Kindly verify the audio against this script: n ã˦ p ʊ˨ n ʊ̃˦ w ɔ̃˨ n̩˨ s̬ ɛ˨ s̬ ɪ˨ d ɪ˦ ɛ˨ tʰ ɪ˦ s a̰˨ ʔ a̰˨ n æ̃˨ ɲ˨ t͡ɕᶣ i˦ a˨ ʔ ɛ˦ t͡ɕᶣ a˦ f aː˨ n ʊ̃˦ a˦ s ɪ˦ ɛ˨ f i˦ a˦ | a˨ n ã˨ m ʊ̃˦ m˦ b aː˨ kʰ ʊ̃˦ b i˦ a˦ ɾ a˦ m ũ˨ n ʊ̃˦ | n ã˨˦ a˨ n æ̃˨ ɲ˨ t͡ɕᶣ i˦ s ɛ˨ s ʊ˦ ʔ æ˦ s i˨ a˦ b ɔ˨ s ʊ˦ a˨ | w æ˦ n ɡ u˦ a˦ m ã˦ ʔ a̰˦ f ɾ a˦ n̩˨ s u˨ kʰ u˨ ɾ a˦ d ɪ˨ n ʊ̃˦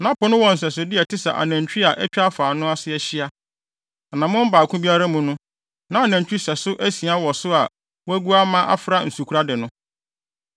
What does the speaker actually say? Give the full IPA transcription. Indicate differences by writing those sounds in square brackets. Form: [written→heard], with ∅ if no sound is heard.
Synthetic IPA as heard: n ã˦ p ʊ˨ n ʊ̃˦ w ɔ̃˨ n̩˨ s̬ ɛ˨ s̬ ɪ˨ d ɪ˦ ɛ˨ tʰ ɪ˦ s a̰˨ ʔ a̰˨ n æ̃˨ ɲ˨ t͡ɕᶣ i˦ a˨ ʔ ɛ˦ t͡ɕᶣ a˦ f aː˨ n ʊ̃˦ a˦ s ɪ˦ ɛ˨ [f→ɕ] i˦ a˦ | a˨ n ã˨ m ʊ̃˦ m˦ b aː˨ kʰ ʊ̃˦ b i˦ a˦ ɾ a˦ m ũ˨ n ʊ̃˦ | n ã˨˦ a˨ n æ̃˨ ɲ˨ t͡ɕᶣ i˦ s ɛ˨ s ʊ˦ ʔ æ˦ s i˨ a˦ [b→w] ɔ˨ s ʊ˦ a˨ | w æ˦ [n→∅] ɡ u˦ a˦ m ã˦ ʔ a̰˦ f ɾ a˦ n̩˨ s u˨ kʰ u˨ ɾ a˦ d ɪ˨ n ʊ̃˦

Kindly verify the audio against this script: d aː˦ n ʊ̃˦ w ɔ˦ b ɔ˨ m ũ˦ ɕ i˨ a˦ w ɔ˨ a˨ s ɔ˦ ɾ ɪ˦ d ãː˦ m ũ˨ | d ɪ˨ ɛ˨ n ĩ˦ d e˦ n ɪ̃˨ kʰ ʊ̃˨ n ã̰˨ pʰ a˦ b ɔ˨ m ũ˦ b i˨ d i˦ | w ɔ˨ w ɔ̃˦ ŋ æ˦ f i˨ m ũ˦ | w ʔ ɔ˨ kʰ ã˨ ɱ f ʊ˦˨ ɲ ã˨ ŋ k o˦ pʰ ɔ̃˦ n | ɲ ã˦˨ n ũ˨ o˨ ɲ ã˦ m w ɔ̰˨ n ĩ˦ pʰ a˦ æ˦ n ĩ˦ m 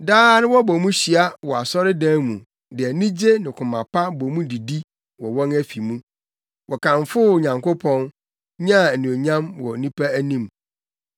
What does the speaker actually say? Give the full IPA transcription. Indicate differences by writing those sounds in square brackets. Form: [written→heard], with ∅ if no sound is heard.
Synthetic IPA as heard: d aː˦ n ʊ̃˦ w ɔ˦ b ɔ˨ m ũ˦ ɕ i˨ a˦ w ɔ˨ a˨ s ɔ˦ ɾ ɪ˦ d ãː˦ m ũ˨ | d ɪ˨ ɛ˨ n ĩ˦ [d→d͡ʑ] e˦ n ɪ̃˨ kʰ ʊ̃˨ [n→m] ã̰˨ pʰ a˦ b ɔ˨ m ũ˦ [b→d] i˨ d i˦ | w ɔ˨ w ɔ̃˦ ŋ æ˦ f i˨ m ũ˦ | w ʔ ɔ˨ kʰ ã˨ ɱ f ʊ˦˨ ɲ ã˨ ŋ k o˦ pʰ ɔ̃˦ n | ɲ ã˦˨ n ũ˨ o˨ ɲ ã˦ m w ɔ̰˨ n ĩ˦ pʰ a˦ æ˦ n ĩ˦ m

